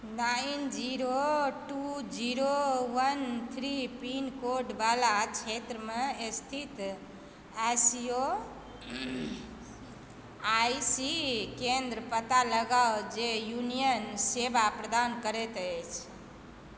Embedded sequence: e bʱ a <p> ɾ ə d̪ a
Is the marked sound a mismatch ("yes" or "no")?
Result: no